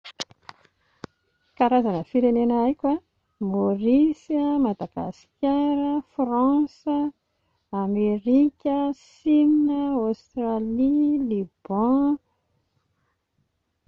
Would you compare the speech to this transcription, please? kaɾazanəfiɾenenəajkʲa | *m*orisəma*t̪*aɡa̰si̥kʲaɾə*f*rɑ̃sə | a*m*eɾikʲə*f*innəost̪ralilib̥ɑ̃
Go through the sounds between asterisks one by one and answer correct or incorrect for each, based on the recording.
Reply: correct, incorrect: d̪, correct, correct, incorrect: s

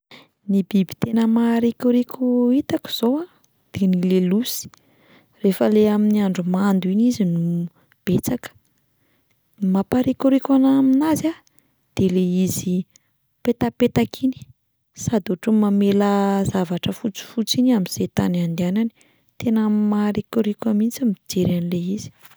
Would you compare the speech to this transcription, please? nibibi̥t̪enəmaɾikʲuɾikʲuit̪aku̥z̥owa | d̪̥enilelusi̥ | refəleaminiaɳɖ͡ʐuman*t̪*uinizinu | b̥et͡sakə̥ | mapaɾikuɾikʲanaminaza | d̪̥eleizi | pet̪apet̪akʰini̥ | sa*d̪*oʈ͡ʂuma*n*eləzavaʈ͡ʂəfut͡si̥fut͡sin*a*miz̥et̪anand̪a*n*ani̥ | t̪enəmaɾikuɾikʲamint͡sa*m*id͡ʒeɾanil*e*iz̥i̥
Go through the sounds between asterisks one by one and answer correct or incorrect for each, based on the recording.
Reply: incorrect: d̪, correct, incorrect: m, correct, correct, correct, correct

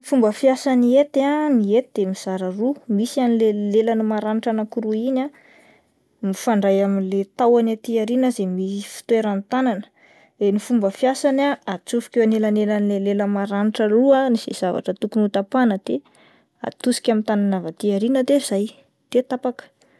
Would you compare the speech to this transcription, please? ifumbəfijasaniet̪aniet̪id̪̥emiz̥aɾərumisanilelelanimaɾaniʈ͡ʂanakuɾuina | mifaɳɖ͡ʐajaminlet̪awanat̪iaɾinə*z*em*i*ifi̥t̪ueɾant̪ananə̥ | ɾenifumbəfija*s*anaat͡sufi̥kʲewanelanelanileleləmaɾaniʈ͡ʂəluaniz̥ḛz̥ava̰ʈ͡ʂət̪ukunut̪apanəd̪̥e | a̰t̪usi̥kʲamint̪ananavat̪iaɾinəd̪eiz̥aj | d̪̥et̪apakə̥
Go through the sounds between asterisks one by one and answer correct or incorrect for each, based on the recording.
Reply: correct, correct, correct

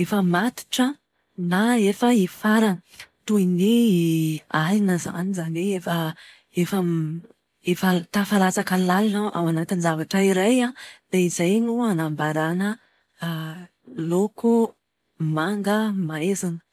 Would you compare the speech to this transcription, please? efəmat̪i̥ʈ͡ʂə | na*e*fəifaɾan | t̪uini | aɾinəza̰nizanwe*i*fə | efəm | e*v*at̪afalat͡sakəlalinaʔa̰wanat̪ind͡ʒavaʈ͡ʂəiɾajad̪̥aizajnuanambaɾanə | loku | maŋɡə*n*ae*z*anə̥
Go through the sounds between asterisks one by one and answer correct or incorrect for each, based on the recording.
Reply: correct, incorrect: e, incorrect: f, incorrect: m, correct

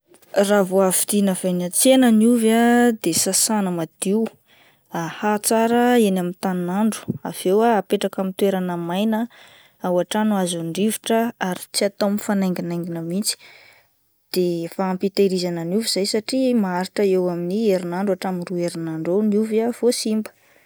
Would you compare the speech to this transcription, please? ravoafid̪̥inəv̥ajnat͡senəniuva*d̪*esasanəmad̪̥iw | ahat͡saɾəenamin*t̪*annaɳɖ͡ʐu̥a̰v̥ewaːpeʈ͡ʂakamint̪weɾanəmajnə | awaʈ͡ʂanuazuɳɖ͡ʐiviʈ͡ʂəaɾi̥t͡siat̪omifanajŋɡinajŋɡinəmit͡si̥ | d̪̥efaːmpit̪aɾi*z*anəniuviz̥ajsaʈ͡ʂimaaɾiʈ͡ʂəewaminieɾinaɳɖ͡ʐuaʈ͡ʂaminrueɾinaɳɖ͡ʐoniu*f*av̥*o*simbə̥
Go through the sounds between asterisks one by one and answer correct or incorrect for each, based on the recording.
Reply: correct, correct, correct, incorrect: v, correct

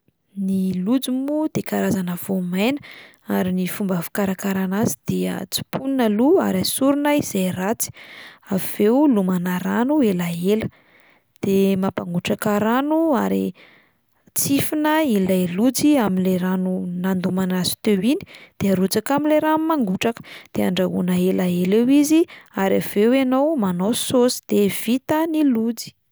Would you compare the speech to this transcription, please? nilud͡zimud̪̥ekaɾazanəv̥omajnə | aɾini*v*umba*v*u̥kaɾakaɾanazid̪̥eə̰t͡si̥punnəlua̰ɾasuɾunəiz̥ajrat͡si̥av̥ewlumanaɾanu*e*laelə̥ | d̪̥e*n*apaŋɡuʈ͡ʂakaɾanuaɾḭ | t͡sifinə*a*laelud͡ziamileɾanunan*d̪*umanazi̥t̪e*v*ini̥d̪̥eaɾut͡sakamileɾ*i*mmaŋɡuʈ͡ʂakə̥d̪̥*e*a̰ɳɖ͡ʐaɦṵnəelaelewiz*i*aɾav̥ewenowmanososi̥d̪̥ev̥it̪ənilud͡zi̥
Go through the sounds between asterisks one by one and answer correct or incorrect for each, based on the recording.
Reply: incorrect: f, correct, correct, incorrect: m, incorrect: i, correct, incorrect: w, incorrect: a, correct, correct

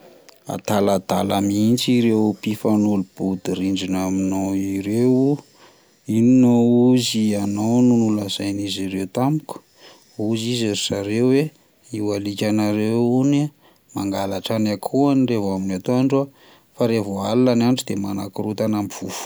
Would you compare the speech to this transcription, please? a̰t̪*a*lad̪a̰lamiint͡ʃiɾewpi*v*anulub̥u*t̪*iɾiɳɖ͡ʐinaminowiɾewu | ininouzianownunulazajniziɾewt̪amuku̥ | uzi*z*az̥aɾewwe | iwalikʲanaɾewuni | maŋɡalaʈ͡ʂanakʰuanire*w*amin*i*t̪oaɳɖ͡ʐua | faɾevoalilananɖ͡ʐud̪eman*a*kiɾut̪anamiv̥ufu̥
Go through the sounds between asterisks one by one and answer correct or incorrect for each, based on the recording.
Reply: correct, incorrect: f, incorrect: d̪, correct, incorrect: v, incorrect: a, correct

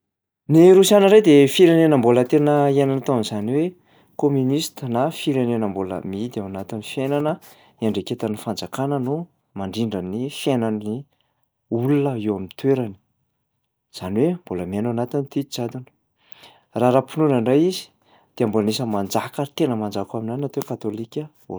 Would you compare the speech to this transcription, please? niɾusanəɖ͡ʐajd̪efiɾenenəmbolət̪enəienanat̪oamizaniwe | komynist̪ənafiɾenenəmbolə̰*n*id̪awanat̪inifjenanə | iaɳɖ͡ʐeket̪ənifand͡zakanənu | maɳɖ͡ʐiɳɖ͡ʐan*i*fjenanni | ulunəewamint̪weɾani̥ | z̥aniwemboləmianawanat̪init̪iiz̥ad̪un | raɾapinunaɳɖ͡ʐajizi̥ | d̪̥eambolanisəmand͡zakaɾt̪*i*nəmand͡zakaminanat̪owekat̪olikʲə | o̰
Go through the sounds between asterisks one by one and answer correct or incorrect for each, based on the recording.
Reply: incorrect: m, correct, incorrect: e

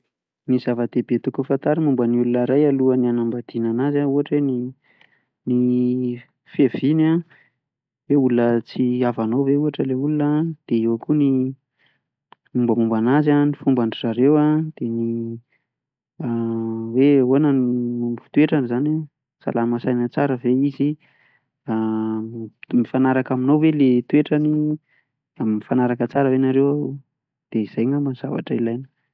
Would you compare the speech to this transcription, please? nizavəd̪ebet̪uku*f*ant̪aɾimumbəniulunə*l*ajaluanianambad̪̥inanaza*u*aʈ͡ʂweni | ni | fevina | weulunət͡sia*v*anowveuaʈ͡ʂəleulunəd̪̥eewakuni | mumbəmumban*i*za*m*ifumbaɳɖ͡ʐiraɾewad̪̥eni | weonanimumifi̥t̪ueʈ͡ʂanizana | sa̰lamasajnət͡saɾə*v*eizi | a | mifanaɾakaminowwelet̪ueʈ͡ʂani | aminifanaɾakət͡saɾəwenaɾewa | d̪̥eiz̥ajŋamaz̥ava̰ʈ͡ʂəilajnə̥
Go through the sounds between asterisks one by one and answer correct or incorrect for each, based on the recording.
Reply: correct, incorrect: ɾ, correct, correct, incorrect: a, incorrect: n, correct

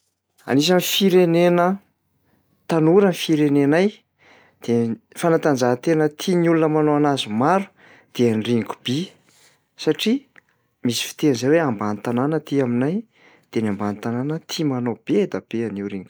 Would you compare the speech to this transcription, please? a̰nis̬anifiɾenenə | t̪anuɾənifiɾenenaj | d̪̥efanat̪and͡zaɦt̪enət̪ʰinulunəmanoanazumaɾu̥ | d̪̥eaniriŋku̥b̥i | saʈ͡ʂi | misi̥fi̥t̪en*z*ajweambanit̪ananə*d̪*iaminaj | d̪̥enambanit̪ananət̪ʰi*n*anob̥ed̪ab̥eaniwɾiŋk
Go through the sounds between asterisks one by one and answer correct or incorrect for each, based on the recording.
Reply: correct, incorrect: t̪, incorrect: m

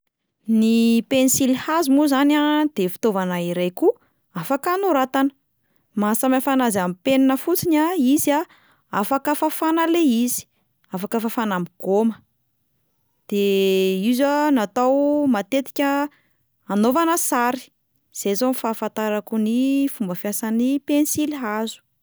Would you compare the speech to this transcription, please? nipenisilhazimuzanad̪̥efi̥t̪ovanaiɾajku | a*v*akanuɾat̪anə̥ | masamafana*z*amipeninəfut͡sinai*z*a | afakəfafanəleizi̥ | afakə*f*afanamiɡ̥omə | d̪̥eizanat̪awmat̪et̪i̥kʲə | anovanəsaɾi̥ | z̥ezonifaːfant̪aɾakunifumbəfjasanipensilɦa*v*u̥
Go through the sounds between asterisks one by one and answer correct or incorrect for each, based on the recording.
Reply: incorrect: f, correct, correct, correct, incorrect: z

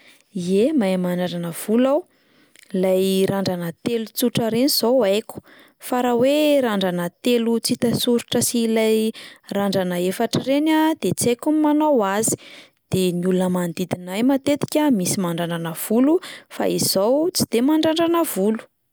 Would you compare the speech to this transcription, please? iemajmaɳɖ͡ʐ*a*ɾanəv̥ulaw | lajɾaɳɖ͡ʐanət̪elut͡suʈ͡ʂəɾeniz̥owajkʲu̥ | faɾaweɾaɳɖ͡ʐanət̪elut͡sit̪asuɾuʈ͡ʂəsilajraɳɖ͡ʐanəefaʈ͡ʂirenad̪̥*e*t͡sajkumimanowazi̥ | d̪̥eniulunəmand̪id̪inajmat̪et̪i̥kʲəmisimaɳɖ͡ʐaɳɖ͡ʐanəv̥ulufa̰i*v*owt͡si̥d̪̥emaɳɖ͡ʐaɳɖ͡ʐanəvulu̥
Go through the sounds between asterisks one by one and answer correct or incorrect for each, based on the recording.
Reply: correct, correct, incorrect: z

